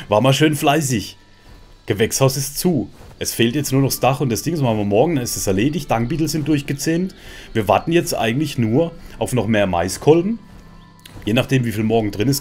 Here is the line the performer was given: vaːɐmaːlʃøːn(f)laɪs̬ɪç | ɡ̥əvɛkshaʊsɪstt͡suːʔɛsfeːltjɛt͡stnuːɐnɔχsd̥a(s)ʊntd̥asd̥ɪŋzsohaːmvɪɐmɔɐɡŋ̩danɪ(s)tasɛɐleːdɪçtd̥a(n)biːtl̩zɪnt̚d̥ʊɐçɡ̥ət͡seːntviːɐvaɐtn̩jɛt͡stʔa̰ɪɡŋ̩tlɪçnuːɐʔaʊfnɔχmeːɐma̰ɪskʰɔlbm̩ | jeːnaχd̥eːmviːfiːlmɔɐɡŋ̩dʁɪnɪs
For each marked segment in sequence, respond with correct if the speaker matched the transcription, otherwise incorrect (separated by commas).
correct, incorrect, correct, incorrect